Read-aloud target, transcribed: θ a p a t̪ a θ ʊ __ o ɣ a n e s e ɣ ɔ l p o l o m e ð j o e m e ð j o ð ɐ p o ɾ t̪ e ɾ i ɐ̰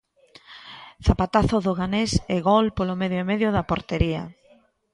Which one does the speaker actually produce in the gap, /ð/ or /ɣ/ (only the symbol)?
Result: ð